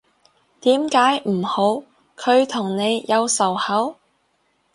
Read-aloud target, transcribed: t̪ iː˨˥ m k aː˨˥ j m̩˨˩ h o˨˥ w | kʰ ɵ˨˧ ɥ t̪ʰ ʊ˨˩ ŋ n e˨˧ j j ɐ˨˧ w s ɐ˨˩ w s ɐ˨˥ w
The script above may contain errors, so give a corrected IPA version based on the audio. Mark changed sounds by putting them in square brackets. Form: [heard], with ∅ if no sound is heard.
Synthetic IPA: t̪ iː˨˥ m k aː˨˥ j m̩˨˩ h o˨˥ w | kʰ ɵ˨˧ ɥ t̪ʰ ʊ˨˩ ŋ n e˨˧ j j ɐ˨˧ w s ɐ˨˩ w [h] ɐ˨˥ w